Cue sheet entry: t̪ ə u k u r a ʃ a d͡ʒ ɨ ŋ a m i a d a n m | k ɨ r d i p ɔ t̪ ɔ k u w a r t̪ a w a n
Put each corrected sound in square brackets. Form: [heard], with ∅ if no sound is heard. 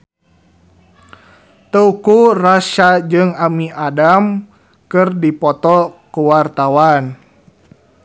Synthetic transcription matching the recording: t̪ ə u k u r a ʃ a d͡ʒ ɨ ŋ a m i a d a [∅] m | k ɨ r d i p ɔ t̪ ɔ k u w a r t̪ a w a n